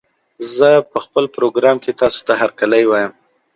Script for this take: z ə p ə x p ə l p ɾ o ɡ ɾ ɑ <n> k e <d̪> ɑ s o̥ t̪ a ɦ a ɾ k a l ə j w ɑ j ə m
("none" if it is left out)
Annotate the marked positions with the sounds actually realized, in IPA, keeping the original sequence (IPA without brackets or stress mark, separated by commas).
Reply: m, t̪